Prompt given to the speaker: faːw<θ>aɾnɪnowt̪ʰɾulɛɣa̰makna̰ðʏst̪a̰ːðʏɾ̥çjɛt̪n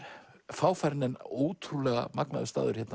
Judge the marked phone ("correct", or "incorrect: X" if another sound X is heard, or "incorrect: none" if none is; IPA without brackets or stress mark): incorrect: f